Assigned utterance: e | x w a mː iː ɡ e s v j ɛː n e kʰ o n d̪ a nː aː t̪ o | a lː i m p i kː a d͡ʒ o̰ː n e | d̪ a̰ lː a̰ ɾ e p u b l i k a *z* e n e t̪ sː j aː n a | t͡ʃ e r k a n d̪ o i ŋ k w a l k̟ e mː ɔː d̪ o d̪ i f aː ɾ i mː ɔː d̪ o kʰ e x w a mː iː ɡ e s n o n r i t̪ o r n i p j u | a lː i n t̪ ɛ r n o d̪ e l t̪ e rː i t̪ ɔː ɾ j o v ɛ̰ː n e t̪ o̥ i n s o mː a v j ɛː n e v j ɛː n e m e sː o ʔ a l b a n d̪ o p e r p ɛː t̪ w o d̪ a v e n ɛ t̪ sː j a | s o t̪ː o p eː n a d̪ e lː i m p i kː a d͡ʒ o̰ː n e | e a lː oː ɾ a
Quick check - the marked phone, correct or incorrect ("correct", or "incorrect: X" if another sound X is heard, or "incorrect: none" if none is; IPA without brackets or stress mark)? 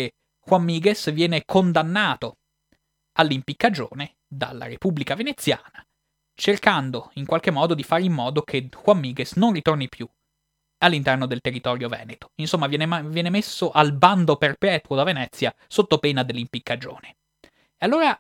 incorrect: v